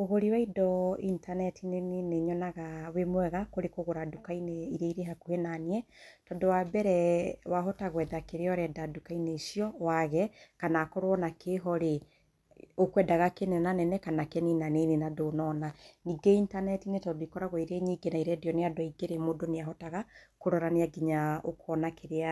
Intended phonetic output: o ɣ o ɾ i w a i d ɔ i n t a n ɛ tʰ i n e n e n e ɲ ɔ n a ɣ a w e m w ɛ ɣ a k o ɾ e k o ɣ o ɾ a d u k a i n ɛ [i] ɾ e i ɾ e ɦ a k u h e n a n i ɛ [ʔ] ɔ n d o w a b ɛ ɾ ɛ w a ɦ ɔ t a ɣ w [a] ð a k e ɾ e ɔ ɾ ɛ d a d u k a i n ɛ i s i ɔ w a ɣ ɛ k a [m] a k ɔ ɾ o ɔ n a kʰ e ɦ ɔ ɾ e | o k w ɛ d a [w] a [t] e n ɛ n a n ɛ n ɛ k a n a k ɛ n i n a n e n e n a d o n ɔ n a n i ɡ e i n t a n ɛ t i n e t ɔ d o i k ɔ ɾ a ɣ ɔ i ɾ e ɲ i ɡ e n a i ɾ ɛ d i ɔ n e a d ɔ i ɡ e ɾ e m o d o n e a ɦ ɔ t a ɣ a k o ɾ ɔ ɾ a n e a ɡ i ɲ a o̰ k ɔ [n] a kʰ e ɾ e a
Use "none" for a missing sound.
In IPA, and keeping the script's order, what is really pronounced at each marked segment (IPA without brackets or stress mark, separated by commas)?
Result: i, t, ɛ, n, ɣ, k, n